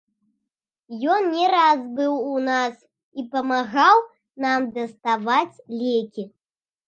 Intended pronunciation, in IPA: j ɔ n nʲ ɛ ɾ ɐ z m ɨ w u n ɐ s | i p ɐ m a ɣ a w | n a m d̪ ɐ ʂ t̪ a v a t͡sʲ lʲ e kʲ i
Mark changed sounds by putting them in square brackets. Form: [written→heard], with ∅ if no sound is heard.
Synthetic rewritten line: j ɔ n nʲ ɛ ɾ [ɐ→a] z [m→b] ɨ w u n [ɐ→a] s | i p ɐ m a ɣ a w | n a m d̪ ɐ [ʂ→s] t̪ a v a t͡sʲ lʲ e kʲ i